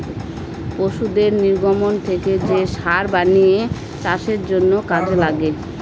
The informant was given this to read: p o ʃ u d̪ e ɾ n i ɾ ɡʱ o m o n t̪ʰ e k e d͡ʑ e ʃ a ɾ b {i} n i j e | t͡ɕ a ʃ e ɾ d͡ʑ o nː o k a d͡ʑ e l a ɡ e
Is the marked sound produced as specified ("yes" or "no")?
no